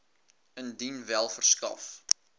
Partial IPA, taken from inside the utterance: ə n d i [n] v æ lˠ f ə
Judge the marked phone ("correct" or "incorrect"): correct